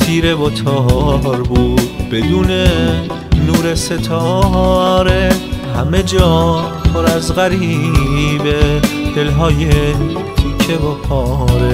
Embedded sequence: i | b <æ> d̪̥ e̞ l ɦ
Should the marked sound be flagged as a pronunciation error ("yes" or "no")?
yes